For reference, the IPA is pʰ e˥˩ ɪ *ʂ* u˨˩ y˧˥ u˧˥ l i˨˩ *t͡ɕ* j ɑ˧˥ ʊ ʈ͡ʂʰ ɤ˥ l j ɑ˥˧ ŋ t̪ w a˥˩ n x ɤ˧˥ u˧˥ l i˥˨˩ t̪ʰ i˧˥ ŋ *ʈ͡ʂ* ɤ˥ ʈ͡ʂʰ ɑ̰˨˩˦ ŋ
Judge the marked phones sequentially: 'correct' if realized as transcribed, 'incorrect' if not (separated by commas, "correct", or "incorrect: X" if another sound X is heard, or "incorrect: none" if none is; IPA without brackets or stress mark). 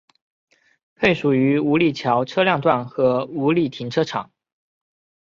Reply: correct, incorrect: t͡ɕʰ, incorrect: ʈ͡ʂʰ